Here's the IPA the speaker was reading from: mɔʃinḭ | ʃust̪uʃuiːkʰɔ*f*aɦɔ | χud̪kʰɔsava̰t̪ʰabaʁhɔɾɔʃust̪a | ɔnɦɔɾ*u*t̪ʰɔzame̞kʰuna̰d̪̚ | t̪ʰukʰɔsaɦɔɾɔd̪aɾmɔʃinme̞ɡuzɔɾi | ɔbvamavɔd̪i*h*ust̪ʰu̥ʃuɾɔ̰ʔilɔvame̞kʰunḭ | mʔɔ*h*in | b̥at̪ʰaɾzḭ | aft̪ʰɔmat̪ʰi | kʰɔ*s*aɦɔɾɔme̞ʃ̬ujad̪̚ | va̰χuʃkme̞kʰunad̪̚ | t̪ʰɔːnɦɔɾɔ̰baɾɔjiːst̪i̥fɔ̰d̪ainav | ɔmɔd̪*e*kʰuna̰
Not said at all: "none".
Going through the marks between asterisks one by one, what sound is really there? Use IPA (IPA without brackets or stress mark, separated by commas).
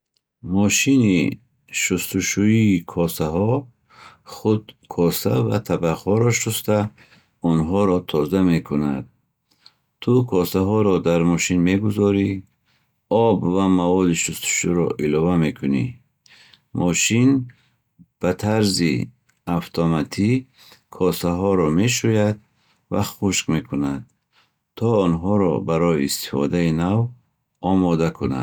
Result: s, ɔ, ʃ, ʃ, s, a